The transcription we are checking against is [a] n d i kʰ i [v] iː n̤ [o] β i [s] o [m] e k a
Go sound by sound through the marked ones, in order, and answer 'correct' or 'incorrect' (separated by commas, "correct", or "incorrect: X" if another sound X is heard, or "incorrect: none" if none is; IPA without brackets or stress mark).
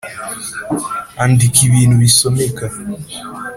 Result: correct, incorrect: β, incorrect: u, correct, correct